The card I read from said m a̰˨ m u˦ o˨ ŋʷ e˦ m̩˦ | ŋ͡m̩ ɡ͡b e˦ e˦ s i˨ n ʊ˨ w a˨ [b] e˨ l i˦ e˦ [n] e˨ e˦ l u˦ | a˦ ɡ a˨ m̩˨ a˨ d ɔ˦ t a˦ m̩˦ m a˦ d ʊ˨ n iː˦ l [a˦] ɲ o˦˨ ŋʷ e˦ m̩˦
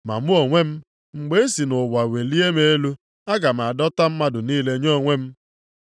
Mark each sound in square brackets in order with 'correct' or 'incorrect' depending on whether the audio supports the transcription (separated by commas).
incorrect, incorrect, incorrect